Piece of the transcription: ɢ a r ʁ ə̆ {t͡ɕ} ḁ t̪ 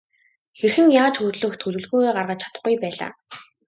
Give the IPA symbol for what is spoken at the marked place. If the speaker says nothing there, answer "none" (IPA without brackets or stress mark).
t͡ɕʰ